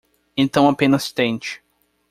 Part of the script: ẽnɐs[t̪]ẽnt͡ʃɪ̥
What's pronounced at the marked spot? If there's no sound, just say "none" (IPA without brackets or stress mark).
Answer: t̪